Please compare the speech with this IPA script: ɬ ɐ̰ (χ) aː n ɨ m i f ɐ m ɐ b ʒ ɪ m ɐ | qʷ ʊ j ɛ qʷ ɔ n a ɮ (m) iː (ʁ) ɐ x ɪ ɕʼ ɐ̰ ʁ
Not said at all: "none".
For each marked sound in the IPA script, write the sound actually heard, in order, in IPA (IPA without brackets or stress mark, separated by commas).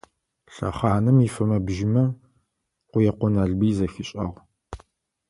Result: χ, b, z